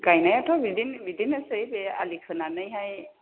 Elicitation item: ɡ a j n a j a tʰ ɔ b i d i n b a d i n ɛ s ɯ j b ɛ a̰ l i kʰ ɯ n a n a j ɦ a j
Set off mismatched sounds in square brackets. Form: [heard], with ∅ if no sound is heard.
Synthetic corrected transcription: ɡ a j n a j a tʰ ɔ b i d i n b [i] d i n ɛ s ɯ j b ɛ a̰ l i kʰ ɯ n a n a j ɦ a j